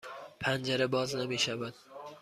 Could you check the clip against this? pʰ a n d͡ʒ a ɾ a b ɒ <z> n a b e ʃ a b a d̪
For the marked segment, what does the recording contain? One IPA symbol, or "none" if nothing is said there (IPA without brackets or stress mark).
z